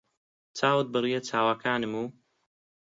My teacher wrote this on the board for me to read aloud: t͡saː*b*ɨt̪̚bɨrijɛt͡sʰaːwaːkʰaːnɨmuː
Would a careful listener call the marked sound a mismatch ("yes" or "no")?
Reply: yes